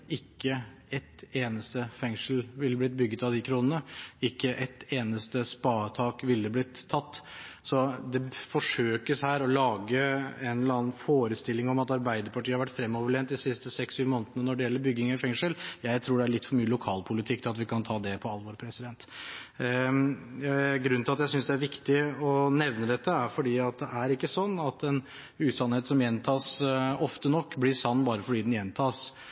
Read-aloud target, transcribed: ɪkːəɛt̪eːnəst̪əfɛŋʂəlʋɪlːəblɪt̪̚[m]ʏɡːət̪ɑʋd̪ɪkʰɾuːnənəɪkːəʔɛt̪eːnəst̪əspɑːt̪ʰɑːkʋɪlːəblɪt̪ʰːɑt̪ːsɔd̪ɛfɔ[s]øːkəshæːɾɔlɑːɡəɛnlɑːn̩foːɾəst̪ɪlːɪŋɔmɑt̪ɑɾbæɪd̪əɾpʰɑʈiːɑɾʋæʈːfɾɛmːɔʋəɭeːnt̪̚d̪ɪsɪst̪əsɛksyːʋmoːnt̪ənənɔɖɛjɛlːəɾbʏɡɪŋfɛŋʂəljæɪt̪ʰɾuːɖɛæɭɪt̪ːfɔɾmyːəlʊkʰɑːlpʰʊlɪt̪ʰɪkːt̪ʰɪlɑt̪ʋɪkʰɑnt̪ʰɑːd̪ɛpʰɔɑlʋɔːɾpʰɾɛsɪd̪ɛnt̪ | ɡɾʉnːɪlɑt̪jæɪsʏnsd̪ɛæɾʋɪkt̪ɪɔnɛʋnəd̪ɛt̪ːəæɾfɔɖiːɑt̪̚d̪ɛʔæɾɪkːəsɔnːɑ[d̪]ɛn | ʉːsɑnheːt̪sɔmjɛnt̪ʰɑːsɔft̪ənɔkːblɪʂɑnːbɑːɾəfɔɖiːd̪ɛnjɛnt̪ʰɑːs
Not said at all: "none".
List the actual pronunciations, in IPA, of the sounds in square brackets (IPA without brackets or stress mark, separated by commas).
b, ʂ, t̪